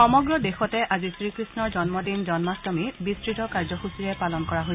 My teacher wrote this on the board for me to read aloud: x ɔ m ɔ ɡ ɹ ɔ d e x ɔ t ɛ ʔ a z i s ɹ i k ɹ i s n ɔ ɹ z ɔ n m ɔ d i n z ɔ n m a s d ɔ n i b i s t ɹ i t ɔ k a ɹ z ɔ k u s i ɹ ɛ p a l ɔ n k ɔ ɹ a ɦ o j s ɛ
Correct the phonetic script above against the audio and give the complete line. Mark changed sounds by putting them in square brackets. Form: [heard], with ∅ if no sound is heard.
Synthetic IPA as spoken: x ɔ m ɔ ɡ ɹ ɔ d e x ɔ t ɛ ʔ a z i s ɹ i k ɹ i s n ɔ ɹ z ɔ n m ɔ d i n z ɔ n m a s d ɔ [m] i b i s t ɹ i t ɔ k a ɹ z ɔ [x] u s i ɹ ɛ p a l ɔ n k ɔ ɹ a ɦ o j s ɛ